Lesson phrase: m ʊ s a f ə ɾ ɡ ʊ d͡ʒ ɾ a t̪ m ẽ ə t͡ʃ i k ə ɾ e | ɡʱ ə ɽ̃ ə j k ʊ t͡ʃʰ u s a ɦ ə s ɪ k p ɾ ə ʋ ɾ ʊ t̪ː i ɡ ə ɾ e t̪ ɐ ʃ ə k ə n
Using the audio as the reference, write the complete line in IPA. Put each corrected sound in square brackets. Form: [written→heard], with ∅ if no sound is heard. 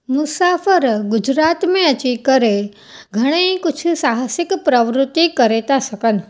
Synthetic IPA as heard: m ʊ s a f ə ɾ ɡ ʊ d͡ʒ ɾ a t̪ m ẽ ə t͡ʃ i k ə ɾ e | ɡʱ ə ɽ̃ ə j k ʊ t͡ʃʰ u s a ɦ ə s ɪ k p ɾ ə ʋ ɾ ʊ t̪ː i [ɡ→k] ə ɾ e t̪ [ɐ→a] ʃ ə k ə n